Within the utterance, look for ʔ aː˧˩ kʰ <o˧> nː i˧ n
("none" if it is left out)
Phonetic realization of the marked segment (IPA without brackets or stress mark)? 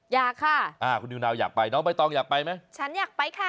u˧